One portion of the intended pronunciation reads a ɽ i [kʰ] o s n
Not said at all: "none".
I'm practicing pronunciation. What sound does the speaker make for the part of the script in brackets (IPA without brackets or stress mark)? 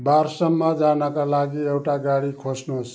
kʰ